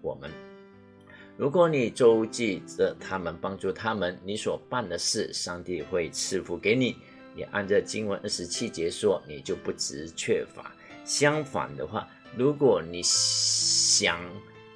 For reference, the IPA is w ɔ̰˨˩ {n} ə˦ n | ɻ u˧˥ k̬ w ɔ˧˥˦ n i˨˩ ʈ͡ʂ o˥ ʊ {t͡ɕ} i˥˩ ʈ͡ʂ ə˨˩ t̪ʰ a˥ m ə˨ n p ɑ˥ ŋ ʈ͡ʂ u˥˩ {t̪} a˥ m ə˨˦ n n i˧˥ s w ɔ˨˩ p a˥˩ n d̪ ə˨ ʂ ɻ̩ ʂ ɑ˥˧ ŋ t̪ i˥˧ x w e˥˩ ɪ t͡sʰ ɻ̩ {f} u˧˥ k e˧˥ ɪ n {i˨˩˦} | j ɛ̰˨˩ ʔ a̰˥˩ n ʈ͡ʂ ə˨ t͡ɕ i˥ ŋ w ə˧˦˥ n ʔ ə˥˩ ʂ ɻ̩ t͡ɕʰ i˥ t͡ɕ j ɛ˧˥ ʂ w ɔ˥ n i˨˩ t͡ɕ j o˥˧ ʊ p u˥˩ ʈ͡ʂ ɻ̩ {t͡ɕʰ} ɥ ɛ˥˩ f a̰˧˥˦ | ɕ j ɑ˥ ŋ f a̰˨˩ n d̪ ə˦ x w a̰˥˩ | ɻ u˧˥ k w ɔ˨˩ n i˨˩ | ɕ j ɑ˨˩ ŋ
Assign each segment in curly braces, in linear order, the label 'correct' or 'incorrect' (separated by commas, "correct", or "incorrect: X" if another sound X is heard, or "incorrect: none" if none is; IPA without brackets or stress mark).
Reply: incorrect: m, correct, incorrect: t̪ʰ, correct, correct, correct